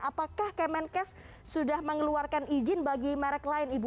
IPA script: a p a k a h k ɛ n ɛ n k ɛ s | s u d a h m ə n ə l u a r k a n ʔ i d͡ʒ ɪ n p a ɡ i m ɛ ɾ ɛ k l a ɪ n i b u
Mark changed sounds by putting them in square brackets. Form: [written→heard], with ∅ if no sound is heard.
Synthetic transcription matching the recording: a p a k a h k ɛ [n→m] ɛ n k ɛ s | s u d a h m ə [n→ŋ] ə l u a r k a n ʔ i d͡ʒ ɪ n [p→b] a ɡ i m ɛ ɾ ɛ k l a ɪ n i b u

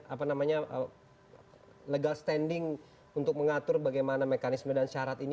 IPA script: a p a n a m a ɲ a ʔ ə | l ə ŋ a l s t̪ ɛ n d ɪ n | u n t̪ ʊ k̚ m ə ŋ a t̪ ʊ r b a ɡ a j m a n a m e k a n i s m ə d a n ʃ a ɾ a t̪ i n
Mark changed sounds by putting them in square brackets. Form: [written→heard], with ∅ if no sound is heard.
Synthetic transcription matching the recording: a p a n a m a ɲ a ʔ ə | l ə [ŋ→ɡ] a l s t̪ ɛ n d ɪ [n→ŋ] | u n t̪ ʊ k̚ m ə ŋ a t̪ ʊ r b a ɡ a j m a n a m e k a n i s m ə d a n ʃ a ɾ a t̪ i n

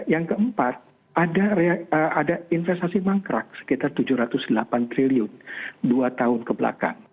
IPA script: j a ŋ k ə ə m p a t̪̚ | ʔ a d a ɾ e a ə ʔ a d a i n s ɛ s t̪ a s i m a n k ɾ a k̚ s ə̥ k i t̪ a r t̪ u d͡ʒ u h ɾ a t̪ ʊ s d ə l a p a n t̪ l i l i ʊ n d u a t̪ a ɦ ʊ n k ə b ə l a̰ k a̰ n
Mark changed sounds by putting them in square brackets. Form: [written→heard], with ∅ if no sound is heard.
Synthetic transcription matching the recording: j a ŋ k ə ə m p a t̪̚ | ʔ a d a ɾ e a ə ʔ a d a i n [s→f] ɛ s t̪ a s i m a [n→ŋ] k ɾ a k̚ s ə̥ k i t̪ a r t̪ u d͡ʒ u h ɾ a t̪ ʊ s d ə l a p a n t̪ [l→ɾ] i l i ʊ n d u a t̪ a ɦ ʊ n k ə b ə l a̰ k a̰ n

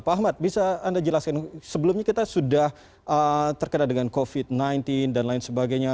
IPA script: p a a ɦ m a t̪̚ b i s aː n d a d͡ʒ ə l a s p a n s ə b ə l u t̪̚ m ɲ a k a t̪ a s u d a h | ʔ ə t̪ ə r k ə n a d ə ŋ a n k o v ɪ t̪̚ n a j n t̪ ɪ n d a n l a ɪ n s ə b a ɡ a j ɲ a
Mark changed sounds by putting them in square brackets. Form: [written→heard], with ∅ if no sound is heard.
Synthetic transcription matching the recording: p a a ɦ m a t̪̚ b i s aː n d a d͡ʒ ə l a s [p→k] a n s ə b ə l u [t̪̚→∅] m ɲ a k [a→i] t̪ a s u d a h | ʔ ə t̪ ə r k ə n a d ə ŋ a n k o [v→f] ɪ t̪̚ n a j n t̪ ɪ n d a n l a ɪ n s ə b a ɡ a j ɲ a

